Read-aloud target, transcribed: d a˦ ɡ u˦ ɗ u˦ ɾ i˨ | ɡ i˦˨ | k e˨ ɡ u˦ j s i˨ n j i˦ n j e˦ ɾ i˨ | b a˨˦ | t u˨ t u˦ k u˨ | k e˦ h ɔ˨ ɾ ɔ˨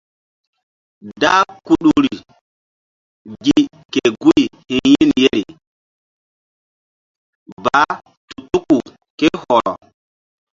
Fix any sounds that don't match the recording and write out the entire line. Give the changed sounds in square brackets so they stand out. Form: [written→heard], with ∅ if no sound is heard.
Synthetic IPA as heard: d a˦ [ɡ→k] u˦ ɗ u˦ ɾ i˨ | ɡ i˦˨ | k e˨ ɡ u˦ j [s→h] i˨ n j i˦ n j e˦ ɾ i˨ | b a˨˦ | t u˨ t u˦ k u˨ | k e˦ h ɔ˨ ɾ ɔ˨